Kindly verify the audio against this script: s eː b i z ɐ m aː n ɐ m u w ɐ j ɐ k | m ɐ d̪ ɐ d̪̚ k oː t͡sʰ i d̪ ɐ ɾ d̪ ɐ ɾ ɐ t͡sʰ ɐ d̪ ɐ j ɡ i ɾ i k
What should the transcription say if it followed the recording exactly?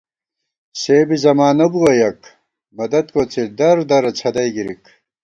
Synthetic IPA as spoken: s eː b i z ɐ m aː n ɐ b u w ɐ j ɐ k | m ɐ d̪ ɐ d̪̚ k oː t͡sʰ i d̪ ɐ ɾ d̪ ɐ ɾ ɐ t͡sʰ ɐ d̪ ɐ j ɡ i ɾ i k